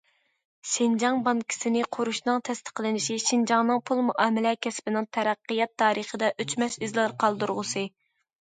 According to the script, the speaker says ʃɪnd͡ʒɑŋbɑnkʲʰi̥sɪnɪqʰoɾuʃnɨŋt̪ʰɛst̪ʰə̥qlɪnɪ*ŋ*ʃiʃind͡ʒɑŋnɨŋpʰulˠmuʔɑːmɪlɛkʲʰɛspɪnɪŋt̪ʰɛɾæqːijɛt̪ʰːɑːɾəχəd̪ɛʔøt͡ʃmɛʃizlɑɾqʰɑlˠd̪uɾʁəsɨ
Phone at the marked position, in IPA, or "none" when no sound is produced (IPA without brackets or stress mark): none